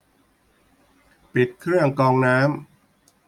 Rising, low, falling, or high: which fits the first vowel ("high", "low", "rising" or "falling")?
low